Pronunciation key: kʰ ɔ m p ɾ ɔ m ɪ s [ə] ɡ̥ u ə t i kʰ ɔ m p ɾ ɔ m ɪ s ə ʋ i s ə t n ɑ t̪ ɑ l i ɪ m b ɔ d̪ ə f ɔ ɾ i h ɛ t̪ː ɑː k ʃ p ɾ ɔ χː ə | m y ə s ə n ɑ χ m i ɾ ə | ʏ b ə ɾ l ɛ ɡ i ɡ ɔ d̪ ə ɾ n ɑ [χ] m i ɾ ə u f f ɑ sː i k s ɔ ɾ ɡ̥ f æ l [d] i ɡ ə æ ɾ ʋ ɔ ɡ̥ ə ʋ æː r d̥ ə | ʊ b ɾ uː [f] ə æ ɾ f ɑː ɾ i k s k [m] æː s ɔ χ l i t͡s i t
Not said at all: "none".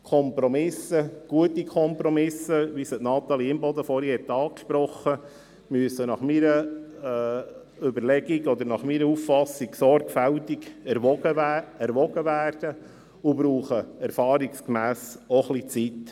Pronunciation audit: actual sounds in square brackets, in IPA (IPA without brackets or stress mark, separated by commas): ə, χ, t, χ, m